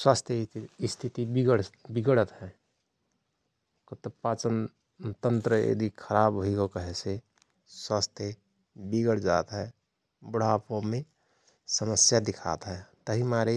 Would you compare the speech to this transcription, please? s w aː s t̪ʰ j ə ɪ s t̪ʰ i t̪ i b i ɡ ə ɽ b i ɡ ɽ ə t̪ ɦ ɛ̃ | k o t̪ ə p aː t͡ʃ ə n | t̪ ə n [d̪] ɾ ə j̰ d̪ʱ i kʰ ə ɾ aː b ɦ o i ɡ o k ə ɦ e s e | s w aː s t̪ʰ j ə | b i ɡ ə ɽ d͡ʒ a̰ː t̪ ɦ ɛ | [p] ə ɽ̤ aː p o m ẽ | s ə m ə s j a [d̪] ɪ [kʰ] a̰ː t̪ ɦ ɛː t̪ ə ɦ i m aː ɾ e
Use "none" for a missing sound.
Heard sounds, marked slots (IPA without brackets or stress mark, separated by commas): t̪, b, d̪, kʰ